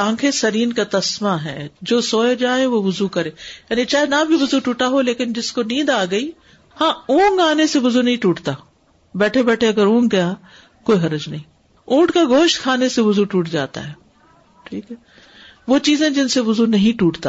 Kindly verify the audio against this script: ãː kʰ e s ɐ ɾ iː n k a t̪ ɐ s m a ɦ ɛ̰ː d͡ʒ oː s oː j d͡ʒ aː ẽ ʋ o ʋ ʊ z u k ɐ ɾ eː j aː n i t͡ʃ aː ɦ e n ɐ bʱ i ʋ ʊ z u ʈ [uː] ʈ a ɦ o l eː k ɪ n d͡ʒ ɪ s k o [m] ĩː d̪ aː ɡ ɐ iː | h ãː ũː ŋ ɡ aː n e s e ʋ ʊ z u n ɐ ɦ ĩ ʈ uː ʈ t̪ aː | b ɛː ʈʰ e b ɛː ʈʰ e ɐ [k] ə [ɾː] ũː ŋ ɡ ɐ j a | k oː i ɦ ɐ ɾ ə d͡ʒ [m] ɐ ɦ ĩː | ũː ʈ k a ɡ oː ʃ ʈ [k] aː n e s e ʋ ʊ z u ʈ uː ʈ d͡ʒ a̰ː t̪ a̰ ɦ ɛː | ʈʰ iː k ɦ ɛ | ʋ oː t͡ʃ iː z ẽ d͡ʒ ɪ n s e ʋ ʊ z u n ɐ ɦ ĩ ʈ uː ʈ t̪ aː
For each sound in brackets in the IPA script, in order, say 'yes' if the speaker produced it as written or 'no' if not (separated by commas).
yes, no, no, no, no, no